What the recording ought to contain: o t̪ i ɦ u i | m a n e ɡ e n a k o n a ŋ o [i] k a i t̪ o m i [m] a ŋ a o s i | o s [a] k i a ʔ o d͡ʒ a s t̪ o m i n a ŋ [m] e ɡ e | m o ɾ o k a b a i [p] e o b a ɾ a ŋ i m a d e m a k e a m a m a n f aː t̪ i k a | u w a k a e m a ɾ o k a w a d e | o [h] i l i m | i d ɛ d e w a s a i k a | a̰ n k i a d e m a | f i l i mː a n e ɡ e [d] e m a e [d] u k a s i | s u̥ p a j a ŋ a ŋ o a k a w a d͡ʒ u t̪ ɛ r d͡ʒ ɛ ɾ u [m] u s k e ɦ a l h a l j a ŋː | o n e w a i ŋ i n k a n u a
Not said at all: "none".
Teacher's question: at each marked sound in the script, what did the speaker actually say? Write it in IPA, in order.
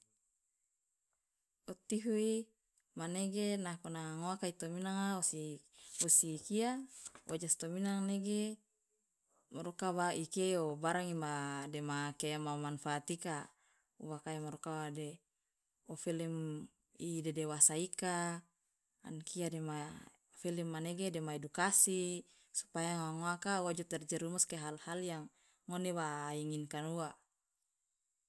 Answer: a, n, i, n, k, f, d, d, m

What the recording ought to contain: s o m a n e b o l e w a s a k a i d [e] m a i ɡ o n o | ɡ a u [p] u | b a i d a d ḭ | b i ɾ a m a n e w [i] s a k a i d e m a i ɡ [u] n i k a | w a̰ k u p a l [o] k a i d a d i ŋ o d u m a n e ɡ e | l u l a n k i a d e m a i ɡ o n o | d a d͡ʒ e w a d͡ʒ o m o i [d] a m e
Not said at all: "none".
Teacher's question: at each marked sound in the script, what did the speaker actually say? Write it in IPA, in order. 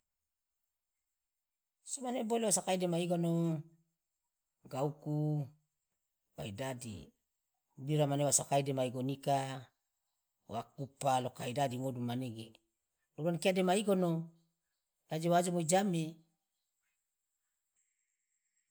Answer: e, k, a, o, o, d͡ʒ

